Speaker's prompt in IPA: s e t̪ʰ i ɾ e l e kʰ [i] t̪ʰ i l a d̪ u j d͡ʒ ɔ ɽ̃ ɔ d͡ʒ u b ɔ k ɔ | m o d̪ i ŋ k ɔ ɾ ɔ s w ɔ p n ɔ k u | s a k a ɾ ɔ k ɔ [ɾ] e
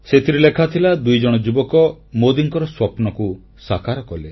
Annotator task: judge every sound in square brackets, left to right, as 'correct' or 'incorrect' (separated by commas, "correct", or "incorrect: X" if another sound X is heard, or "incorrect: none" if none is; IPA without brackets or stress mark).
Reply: incorrect: a, incorrect: l